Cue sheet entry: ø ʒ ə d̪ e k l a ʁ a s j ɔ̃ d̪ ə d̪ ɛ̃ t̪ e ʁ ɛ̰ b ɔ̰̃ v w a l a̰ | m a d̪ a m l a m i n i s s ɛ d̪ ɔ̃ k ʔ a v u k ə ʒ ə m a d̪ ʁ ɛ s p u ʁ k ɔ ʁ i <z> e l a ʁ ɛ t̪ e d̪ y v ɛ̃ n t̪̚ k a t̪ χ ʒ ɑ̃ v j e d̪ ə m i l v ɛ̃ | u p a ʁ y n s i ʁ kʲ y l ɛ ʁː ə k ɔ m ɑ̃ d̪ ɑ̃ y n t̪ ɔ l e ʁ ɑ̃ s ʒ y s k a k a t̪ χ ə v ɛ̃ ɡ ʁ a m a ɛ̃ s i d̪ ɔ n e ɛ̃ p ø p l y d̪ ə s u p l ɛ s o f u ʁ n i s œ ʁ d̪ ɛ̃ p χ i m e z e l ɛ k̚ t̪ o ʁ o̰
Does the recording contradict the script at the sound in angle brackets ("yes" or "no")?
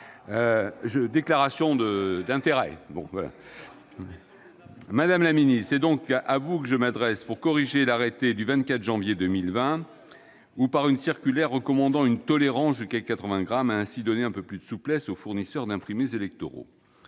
yes